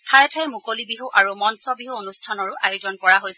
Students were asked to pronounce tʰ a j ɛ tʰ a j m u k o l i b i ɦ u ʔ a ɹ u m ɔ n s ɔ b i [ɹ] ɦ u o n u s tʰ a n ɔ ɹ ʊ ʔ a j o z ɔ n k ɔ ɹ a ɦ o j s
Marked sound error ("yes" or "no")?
yes